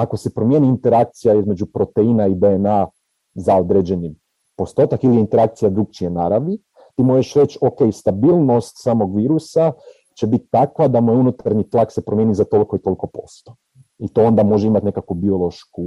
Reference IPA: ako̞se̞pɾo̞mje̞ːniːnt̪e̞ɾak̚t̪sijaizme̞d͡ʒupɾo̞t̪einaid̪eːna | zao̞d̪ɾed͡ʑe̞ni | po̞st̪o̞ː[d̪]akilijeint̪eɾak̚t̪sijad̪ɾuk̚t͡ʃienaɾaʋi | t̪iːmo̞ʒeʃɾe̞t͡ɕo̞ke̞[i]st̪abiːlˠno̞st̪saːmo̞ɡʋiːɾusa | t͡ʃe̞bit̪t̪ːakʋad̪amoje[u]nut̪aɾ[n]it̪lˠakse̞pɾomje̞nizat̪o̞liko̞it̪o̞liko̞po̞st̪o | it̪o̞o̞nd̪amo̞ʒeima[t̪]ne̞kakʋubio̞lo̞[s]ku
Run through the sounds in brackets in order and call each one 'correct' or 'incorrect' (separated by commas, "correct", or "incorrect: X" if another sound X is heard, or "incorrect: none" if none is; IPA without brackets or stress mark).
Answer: incorrect: t̪, incorrect: j, correct, incorrect: ɲ, correct, incorrect: ʃ